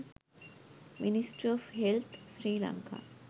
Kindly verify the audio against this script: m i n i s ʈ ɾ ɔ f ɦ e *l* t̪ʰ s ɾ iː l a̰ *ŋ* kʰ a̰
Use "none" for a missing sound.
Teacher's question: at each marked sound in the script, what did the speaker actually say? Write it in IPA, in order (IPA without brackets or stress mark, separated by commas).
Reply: l, ŋ